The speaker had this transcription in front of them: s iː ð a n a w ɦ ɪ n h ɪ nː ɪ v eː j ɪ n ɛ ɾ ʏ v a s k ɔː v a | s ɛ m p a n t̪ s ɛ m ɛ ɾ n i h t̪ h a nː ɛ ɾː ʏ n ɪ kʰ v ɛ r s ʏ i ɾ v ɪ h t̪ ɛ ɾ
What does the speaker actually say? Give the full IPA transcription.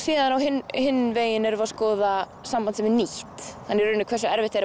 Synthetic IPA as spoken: s iː ð a n a w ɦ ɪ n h ɪ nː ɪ v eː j ɪ n ɛ ɾ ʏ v a s k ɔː ð a | s a m p a n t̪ s ɛ m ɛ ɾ n i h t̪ h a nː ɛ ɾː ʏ n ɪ kʰ v ɛ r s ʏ ɛ ɾ v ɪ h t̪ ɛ ɾ